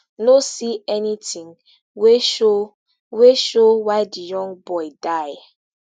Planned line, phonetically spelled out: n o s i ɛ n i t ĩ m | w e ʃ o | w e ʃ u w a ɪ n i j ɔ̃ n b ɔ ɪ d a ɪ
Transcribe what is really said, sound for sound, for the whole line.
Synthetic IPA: n o s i ɛ n i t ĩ ŋ | w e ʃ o | w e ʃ o w a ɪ d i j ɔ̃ ŋ b ɔ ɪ d a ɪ